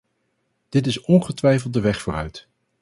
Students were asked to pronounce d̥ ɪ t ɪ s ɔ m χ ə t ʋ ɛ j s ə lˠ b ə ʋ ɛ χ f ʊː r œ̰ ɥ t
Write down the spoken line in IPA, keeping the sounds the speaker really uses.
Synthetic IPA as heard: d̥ ɪ t ɪ s ɔ n χ ə t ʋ ɛ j f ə lˠ d ə ʋ ɛ χ f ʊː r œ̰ ɥ t